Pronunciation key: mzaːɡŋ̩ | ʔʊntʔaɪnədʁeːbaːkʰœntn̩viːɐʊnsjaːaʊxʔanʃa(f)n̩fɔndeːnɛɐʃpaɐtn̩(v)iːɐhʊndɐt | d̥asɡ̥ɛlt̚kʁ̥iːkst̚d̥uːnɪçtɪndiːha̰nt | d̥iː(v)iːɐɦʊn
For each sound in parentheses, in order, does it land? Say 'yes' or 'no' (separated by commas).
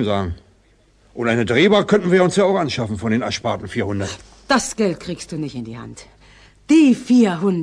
yes, no, no